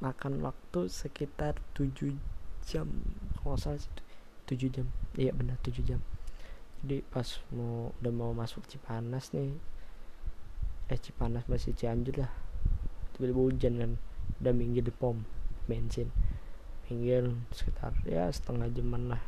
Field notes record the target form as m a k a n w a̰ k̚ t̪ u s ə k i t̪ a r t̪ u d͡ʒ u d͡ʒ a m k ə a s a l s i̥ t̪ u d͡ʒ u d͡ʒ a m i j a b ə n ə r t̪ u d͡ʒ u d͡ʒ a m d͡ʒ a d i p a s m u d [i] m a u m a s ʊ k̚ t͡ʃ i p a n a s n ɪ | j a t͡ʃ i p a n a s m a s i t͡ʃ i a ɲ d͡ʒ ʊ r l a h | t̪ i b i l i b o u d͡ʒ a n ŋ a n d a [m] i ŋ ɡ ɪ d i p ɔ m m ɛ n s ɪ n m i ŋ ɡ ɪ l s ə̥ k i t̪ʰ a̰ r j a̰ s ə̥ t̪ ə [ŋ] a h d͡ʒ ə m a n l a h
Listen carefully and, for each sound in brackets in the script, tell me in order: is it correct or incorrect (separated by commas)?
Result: incorrect, correct, correct